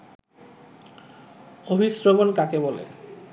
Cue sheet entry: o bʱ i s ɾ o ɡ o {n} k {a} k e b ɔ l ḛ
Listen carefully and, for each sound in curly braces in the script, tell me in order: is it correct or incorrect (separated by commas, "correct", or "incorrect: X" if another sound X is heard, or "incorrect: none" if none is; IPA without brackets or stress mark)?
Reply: correct, correct